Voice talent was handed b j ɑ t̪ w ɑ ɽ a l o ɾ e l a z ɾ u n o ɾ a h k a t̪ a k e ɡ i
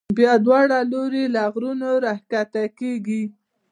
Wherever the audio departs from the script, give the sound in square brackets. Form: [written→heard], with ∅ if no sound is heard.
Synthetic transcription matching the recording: b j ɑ [t̪→d̪] w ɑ ɽ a l o ɾ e l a [z→ɣ] ɾ u n o ɾ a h k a t̪ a k e ɡ i